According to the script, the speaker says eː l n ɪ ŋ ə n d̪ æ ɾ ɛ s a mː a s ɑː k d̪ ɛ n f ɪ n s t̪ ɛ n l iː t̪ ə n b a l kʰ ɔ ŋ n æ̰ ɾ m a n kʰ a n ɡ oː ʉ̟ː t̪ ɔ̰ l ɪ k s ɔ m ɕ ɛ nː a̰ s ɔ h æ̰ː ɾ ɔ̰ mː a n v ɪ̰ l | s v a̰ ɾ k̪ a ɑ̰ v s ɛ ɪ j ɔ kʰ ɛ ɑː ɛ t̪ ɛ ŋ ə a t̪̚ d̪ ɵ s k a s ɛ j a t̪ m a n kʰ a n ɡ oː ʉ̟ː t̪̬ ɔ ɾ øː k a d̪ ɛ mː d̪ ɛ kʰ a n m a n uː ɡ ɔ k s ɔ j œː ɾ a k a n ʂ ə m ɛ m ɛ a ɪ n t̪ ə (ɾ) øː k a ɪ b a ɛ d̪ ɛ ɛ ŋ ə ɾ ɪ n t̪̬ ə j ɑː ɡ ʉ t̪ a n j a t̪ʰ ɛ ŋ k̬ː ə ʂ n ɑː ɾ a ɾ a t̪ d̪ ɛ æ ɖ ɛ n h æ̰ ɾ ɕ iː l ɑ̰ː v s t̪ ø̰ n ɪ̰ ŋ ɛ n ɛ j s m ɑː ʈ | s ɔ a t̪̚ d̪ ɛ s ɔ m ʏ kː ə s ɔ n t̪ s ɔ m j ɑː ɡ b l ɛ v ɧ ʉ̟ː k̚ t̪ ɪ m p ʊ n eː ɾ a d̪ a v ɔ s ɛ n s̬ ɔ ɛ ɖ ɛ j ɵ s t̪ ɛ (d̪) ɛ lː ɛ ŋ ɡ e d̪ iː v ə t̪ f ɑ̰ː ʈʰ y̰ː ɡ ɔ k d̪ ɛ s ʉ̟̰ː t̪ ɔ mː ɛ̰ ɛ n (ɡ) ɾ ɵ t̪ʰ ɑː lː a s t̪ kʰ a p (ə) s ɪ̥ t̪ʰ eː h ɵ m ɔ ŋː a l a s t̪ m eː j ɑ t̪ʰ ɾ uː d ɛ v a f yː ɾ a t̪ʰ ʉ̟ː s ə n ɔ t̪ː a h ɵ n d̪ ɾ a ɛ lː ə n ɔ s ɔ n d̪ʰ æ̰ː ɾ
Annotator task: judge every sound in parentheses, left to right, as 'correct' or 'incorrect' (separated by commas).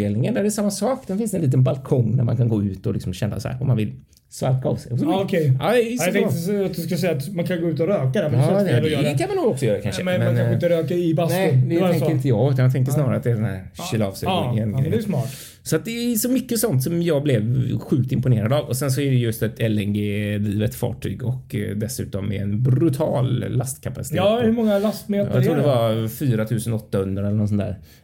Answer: correct, incorrect, incorrect, incorrect